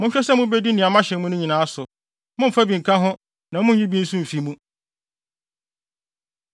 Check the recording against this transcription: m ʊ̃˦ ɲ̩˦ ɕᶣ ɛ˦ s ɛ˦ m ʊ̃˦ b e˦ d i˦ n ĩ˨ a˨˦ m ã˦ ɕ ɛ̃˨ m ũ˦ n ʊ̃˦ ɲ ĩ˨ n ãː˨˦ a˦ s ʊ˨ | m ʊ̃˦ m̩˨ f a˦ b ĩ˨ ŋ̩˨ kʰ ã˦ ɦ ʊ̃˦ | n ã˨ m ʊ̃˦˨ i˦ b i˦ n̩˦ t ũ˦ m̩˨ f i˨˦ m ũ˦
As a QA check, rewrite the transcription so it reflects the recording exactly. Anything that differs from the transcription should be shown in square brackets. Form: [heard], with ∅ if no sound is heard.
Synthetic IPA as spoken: m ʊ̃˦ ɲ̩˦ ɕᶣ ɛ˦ s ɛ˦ m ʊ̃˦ b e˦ d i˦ n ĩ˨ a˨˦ m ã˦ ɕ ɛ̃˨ m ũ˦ n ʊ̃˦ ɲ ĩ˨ n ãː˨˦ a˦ s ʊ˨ | m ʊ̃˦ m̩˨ f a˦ b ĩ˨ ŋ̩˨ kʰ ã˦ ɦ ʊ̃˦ | n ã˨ m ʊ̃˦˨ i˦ b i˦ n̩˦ [s] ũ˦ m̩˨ f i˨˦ m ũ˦

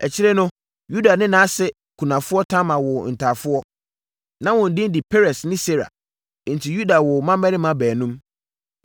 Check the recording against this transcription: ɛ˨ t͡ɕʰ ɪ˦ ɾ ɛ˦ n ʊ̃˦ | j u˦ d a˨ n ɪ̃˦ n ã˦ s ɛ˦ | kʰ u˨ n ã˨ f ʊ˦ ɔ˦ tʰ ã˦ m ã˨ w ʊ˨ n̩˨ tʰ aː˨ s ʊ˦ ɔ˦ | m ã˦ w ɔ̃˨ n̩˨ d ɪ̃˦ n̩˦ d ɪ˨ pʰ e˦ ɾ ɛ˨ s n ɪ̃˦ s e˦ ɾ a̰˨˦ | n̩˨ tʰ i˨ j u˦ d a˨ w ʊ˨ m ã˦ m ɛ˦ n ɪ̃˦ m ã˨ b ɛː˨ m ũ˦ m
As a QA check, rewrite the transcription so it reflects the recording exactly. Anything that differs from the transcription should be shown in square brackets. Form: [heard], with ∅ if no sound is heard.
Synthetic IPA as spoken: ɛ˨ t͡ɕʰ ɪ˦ ɾ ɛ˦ n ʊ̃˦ | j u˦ d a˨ n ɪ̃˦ n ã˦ s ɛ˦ | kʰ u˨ n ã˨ f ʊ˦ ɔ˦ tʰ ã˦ m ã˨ w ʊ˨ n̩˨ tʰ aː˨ [f] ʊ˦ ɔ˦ | [n] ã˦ w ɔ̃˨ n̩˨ d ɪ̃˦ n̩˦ d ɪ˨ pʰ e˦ ɾ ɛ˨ s n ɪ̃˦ s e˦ ɾ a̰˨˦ | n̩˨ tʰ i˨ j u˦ d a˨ w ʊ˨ m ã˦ m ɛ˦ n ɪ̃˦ m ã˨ b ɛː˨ [n] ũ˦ m

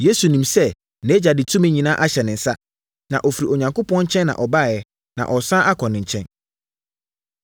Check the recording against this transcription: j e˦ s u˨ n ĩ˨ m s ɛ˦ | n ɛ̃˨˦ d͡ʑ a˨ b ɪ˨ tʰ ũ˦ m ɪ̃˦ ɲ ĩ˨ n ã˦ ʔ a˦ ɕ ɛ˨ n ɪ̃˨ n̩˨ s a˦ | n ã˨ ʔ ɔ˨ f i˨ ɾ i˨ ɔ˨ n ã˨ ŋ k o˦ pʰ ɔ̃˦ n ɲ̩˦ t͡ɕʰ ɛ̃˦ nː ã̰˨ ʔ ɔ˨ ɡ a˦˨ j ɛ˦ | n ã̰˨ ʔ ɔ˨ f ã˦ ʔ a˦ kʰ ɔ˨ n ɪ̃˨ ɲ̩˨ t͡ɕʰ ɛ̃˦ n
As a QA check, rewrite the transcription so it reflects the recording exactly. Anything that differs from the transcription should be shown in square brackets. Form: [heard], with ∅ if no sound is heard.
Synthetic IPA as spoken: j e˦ s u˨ n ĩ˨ m s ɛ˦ | n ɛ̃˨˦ d͡ʑ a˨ [d] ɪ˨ tʰ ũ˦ m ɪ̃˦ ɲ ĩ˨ n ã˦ ʔ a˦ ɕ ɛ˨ n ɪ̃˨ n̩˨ s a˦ | n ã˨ ʔ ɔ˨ f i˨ ɾ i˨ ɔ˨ [ɲ] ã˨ ŋ k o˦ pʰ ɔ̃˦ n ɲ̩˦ t͡ɕʰ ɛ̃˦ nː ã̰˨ ʔ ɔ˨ [b] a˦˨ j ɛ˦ | n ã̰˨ ʔ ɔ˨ [s] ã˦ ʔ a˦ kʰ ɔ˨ n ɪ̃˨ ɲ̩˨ t͡ɕʰ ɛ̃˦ n

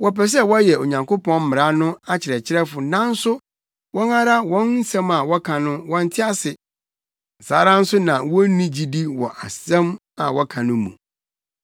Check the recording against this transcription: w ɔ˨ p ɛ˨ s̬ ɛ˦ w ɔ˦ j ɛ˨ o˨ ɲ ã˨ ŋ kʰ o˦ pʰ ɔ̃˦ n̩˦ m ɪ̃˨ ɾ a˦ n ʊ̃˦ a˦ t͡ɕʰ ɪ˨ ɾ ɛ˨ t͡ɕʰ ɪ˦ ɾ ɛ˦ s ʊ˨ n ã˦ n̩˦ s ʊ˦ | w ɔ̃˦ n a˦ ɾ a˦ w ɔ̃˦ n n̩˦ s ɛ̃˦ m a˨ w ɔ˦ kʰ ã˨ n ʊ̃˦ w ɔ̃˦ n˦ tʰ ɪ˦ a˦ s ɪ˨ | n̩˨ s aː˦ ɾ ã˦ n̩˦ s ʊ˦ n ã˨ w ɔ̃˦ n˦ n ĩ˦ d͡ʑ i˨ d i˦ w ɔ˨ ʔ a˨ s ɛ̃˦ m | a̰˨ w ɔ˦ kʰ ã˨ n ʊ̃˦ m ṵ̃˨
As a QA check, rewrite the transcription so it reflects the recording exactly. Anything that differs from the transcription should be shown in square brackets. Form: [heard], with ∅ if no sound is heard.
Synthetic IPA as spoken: w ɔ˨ p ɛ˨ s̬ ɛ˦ w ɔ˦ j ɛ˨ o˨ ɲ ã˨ ŋ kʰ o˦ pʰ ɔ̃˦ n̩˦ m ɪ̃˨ ɾ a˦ n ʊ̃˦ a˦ t͡ɕʰ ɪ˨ ɾ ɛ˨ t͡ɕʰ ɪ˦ ɾ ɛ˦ [f] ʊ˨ n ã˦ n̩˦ s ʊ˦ | w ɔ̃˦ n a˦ ɾ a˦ w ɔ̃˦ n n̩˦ s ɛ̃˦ m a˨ w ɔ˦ kʰ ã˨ n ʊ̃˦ w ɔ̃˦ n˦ tʰ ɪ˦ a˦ s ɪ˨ | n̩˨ s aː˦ ɾ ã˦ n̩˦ s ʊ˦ n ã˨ w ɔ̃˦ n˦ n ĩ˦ d͡ʑ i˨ d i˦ w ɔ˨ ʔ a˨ s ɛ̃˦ m | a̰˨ w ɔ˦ kʰ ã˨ n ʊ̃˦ m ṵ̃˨

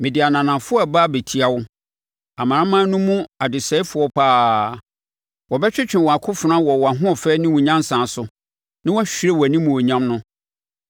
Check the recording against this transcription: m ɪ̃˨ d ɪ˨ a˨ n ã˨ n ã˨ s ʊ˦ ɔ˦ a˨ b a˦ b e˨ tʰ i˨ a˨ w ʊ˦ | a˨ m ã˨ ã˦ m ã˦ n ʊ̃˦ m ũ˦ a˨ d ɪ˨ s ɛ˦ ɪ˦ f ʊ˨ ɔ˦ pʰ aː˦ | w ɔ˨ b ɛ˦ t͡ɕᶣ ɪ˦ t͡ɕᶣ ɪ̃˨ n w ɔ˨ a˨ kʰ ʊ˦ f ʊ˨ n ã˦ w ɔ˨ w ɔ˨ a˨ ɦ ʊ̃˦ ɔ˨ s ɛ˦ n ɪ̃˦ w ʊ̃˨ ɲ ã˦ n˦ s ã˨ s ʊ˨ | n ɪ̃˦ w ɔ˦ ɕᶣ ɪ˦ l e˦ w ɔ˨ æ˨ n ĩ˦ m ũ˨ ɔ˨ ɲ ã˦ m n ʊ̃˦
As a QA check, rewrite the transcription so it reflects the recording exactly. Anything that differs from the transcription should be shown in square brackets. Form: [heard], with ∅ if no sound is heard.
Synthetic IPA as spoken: m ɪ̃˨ d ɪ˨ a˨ n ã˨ n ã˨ [f] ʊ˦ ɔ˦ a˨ b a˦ b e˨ tʰ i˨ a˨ w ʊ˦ | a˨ m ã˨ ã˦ m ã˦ n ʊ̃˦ m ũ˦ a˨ d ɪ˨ s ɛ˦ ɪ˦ f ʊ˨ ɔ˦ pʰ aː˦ | w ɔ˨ b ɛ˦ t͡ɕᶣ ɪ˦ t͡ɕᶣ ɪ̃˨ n w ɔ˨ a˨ kʰ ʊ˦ f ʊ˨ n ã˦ w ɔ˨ w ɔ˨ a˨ ɦ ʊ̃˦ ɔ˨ [f] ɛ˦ n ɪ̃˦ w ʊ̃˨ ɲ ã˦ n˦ s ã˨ s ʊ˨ | n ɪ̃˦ w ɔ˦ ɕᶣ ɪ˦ [ɾ] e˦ w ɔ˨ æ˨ n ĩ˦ m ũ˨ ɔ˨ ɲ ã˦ m n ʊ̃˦

